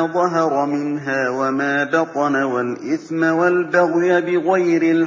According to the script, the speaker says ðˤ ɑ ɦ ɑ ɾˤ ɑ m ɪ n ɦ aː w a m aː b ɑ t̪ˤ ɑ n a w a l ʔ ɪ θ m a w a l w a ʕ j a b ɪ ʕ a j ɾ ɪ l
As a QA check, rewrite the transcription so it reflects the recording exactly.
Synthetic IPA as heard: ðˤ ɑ ɦ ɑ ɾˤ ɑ m ɪ n ɦ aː w a m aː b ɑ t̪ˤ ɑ n a w a l ʔ ɪ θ m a w a l b a ɣ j a b ɪ ɣ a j ɾ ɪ l